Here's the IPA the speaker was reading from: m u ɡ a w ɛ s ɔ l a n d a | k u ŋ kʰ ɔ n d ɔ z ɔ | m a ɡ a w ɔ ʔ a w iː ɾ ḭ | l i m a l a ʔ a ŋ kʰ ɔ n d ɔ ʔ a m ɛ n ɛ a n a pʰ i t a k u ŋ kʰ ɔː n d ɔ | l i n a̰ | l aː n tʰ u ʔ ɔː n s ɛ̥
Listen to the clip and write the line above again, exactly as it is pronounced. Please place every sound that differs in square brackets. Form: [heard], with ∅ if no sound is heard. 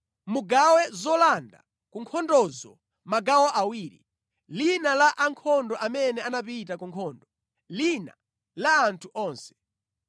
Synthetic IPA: m u ɡ a w ɛ [z] ɔ l a n d a | k u ŋ kʰ ɔ n d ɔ z ɔ | m a ɡ a w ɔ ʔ a w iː ɾ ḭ | l i [n] a l a ʔ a ŋ kʰ ɔ n d ɔ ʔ a m ɛ n ɛ a n a [p] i t a k u ŋ kʰ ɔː n d ɔ | l i n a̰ | l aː n tʰ u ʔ ɔː n s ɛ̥

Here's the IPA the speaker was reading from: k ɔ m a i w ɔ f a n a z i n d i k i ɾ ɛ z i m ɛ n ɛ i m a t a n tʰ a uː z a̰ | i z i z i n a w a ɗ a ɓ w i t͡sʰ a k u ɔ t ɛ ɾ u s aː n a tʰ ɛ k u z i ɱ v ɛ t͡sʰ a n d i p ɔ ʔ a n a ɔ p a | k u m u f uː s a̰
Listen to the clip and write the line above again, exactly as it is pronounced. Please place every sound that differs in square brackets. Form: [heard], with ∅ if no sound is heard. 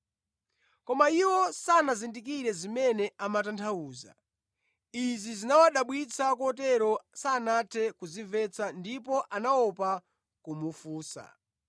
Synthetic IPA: k ɔ m a i w ɔ [s] a n a z i n d i k i ɾ ɛ z i m ɛ n ɛ [a] m a t a n tʰ a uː z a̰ | i z i z i n a w a ɗ a ɓ w i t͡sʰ a k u ɔ t ɛ ɾ [ɔ] s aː n a tʰ ɛ k u z i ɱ v ɛ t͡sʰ a n d i p ɔ ʔ a n a ɔ p a | k u m u f uː s a̰

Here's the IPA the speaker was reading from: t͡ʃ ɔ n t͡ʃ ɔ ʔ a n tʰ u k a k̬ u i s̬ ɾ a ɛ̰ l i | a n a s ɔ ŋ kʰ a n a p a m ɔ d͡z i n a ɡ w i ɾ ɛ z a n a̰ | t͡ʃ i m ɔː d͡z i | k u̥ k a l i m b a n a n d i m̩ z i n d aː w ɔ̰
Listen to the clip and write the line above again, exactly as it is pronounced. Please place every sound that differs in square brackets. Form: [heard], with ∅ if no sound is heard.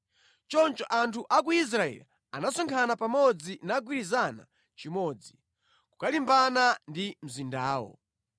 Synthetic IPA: t͡ʃ ɔ n t͡ʃ ɔ ʔ a n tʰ u [ʔ] a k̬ u i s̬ ɾ a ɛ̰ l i | a n a s ɔ ŋ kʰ a n a p a m ɔ d͡z i n a ɡ w i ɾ [i] z a n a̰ | t͡ʃ i m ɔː d͡z i | k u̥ k a l i m b a n a n d i m̩ z i n d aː w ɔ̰

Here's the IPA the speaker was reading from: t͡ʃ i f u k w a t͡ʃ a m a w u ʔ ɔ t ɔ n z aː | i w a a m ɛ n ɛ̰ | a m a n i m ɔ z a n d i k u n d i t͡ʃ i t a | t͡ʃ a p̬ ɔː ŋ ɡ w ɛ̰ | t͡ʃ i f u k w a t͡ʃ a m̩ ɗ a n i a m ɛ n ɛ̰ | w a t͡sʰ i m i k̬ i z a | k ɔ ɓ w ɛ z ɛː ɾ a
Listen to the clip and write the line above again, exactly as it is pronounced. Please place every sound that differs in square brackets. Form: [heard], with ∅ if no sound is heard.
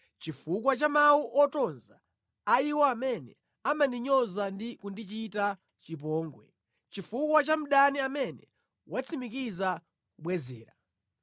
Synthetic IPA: t͡ʃ i f u k w a t͡ʃ a m a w u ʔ ɔ t ɔ n z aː | i w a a m ɛ n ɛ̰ | a m a n i [ɲ] ɔ z a n d i k u n d i t͡ʃ i t a | t͡ʃ [i] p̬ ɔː ŋ ɡ w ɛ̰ | t͡ʃ i f u k w a t͡ʃ a m̩ ɗ a n i a m ɛ n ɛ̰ | w a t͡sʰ i m i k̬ i z a | k [u] ɓ w ɛ z ɛː ɾ a

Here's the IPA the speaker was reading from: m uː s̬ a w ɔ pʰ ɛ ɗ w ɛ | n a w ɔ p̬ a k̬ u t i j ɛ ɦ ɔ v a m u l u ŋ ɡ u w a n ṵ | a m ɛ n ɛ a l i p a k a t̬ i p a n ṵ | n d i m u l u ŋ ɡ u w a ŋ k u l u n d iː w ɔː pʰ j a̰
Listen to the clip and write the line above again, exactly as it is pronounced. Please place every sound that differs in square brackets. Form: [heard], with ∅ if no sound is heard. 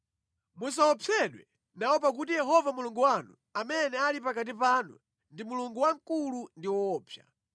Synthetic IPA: m [u] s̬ a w ɔ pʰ ɛ ɗ w ɛ | n a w ɔ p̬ a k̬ u t i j ɛ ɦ ɔ v a m u l u ŋ ɡ u w a n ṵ | a m ɛ n ɛ a l i p a k a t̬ i p a n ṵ | n d i m u l u ŋ ɡ u w a ŋ k u l u n d [i] w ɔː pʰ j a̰

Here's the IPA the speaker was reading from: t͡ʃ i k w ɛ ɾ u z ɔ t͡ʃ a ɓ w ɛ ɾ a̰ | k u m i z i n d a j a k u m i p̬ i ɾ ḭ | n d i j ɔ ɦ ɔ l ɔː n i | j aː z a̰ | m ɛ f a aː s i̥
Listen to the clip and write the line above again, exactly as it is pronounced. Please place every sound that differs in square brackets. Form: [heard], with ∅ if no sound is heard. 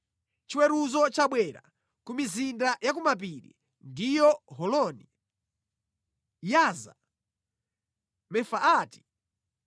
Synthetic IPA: t͡ʃ i [∅] w ɛ ɾ u z ɔ t͡ʃ a ɓ w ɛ ɾ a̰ | k u m i z i n d a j a k u m [a] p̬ i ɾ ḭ | n d i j ɔ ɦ ɔ l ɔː n i | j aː z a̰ | m ɛ f a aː [t] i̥

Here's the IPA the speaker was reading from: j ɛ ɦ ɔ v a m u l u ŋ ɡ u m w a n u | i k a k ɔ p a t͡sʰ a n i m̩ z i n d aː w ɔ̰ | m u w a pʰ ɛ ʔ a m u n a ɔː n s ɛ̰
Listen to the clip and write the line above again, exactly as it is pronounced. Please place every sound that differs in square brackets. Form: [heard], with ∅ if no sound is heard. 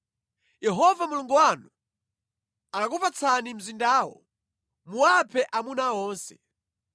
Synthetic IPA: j ɛ ɦ ɔ v a m u l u ŋ ɡ u [∅] w a n u | [a] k a k [u] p a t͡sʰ a n i m̩ z i n d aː w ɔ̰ | m u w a pʰ ɛ ʔ a m u n a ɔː n s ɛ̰

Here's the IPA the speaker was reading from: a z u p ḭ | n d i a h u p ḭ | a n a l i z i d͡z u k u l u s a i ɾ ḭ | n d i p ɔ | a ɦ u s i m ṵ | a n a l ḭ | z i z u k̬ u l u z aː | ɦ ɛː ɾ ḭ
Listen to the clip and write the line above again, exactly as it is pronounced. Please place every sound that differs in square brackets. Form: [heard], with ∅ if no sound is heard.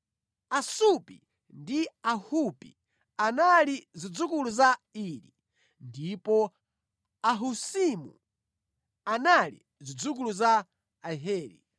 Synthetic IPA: a [s] u p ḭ | n d i a h u p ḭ | a n a l i z i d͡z u k u l u [z] a i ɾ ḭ | n d i p ɔ | a ɦ u s i m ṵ | a n a l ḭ | z i [d͡z] u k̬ u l u z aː | ɦ ɛː ɾ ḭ

